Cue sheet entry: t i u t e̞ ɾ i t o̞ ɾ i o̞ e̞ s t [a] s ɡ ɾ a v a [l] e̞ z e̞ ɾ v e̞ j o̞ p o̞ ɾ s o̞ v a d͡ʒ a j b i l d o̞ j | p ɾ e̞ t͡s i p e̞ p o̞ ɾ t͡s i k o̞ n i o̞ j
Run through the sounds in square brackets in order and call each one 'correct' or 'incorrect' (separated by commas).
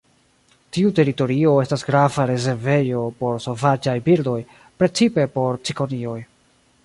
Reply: correct, incorrect